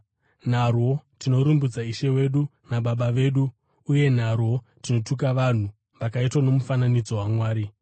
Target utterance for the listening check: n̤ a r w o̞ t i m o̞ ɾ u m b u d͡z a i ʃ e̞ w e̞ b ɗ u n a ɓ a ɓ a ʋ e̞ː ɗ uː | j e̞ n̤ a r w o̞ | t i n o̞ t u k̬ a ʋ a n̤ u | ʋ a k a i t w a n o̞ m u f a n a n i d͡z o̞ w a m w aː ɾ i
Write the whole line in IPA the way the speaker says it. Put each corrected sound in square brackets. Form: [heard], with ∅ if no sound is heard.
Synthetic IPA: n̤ a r w o̞ t i [n] o̞ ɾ u m b u d͡z a i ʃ e̞ w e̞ [∅] ɗ u n a ɓ a ɓ a ʋ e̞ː ɗ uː | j e̞ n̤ a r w o̞ | t i n o̞ t u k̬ a ʋ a n̤ u | ʋ a k a i t w a n o̞ m u f a n a n i d͡z o̞ w a m w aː ɾ i

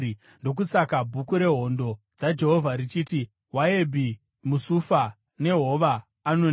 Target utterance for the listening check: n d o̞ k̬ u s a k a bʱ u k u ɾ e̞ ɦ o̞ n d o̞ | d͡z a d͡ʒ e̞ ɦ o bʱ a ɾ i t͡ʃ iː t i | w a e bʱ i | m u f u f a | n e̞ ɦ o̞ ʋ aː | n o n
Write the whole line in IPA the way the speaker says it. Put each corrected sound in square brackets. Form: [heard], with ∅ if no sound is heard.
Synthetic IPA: n d o̞ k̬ u s a k a bʱ u k u ɾ e̞ ɦ o̞ n d o̞ | d͡z a d͡ʒ e̞ ɦ o [vʱ] a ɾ i t͡ʃ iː t i | w a e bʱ i | m u [s] u f a | n e̞ ɦ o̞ ʋ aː | n o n

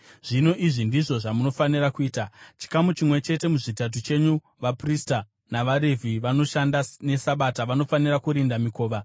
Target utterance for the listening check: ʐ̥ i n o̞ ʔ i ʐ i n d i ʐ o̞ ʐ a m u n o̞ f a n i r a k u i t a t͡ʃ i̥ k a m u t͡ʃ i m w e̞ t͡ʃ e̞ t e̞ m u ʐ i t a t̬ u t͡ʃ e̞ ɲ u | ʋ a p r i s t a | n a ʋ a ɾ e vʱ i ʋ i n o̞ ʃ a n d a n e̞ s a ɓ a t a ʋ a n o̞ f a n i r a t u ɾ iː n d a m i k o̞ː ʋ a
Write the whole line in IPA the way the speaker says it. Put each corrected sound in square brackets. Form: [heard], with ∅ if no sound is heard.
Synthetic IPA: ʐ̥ i n o̞ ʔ i ʐ i n d i ʐ o̞ ʐ a m u n o̞ f a n i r a k u [iː] t a t͡ʃ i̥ k a m u t͡ʃ i m w e̞ t͡ʃ e̞ t e̞ m u ʐ i t a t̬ u t͡ʃ e̞ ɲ u | ʋ a p r i s t a | n a ʋ a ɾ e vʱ i ʋ [a] n o̞ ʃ a n d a n e̞ s a ɓ a t a ʋ a n o̞ f a n i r a [k] u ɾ [i] n d a m i k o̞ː ʋ a

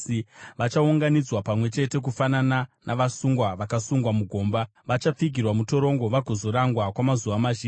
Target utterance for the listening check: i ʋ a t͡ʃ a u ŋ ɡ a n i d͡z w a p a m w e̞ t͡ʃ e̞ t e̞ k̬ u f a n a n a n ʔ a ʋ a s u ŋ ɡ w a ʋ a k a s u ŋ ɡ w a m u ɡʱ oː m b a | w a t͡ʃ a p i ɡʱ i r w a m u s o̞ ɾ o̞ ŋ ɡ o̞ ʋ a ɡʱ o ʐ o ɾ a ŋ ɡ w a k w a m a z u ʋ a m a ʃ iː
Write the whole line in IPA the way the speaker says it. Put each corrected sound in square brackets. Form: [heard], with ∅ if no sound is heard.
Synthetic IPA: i ʋ a t͡ʃ a u ŋ ɡ a n i d͡z w a p a m w e̞ t͡ʃ e̞ t e̞ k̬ u f a n a n a n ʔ a ʋ a s u ŋ ɡ w a ʋ a k a s u ŋ ɡ w a m u ɡʱ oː m b a | [ʋ] a t͡ʃ a [p͡f] i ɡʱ i r w a m u [t] o̞ ɾ o̞ ŋ ɡ o̞ ʋ a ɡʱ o [z] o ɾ a ŋ ɡ w a k w a m a z u ʋ a m a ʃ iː

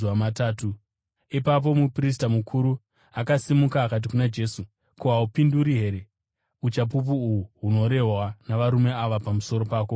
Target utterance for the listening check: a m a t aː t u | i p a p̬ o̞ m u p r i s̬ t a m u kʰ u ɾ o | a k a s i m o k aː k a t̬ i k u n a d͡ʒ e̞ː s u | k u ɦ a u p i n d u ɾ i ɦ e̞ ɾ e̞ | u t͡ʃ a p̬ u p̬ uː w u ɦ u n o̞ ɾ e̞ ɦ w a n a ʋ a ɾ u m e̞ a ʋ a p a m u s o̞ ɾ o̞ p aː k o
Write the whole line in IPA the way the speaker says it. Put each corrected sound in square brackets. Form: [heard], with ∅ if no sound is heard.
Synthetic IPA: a m a t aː t u | i p a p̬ o̞ m u p r i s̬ t a m u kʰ u ɾ [u] | a k a s i m [u] k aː k a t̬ i k u n a d͡ʒ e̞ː s u | k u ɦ a u p i n d u ɾ i ɦ e̞ ɾ e̞ | u t͡ʃ a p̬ u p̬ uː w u ɦ u n o̞ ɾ e̞ ɦ w a n a ʋ a ɾ u m e̞ a ʋ a p a m u s o̞ ɾ o̞ p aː k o

